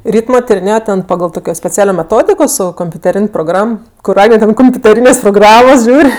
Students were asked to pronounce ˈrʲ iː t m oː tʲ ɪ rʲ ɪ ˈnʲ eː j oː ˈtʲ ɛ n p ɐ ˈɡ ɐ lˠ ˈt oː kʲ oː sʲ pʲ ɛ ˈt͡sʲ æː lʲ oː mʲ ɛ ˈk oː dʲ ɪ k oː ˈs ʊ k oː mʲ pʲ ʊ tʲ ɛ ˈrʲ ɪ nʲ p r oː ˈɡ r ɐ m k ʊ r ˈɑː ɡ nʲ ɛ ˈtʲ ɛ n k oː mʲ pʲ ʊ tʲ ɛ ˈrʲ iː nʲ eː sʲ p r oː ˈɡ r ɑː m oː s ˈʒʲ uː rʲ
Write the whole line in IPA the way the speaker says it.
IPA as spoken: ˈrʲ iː t m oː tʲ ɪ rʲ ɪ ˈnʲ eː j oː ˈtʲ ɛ n p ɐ ˈɡ ɐ lˠ ˈt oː kʲ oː sʲ pʲ ɛ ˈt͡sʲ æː lʲ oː mʲ ɛ ˈt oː dʲ ɪ k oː ˈs ʊ k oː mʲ pʲ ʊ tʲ ɛ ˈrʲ ɪ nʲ p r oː ˈɡ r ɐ m k ʊ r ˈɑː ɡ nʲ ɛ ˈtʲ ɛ n k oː mʲ pʲ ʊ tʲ ɛ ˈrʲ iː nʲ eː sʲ p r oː ˈɡ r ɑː m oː s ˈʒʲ uː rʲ